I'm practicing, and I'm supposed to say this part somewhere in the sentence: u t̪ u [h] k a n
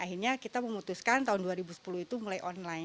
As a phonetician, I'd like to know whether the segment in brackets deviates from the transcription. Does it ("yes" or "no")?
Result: yes